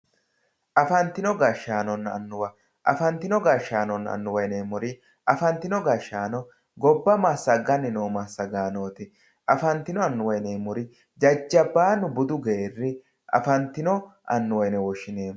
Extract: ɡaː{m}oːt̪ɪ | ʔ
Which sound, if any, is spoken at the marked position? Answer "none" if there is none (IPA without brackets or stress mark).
n